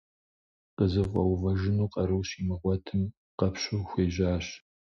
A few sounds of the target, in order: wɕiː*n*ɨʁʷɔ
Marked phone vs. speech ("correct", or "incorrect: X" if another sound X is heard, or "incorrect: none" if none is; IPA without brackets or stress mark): incorrect: m